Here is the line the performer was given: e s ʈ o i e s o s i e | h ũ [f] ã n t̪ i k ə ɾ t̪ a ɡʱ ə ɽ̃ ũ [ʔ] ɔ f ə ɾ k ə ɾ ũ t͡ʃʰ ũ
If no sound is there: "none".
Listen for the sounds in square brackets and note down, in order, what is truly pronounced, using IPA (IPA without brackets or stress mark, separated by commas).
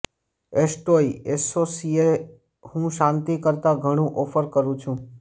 ʃ, ʔ